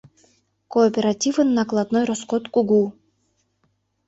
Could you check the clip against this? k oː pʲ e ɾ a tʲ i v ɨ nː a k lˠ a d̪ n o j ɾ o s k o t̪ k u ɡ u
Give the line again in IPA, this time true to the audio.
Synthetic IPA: k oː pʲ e ɾ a tʲ i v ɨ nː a k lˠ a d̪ n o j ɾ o s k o t̪ k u ɡ u